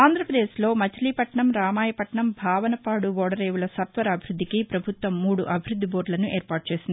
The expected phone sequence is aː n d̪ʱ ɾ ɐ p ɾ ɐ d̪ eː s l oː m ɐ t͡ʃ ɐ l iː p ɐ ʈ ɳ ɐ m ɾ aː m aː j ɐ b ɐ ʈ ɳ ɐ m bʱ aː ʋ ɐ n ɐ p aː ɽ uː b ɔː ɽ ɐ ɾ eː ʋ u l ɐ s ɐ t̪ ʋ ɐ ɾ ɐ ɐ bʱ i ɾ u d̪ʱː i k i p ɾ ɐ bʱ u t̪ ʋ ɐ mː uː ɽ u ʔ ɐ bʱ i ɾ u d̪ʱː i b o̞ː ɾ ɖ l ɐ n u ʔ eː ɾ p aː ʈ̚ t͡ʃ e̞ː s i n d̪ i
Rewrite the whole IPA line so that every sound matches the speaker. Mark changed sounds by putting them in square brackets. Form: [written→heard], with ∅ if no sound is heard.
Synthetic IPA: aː n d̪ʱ ɾ ɐ p ɾ ɐ d̪ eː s l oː m ɐ t͡ʃ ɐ l iː p ɐ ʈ ɳ ɐ m ɾ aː m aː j ɐ [b→p] ɐ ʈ ɳ ɐ m bʱ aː ʋ ɐ n ɐ p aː ɽ [uː→u] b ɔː ɽ ɐ ɾ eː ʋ u l ɐ s ɐ t̪ ʋ ɐ ɾ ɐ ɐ bʱ i ɾ u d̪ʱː i k i p ɾ ɐ bʱ u t̪ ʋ ɐ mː uː ɽ u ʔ ɐ bʱ i ɾ u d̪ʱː i b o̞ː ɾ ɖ l ɐ n u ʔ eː ɾ p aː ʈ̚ t͡ʃ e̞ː s i n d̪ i